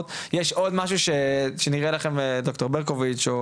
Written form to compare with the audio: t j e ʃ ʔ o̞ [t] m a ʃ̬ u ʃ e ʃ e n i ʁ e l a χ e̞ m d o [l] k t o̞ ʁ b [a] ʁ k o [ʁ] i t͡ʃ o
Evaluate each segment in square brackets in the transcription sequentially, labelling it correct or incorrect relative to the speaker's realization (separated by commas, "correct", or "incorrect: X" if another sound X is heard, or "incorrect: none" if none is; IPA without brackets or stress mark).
incorrect: d, incorrect: none, incorrect: e, incorrect: v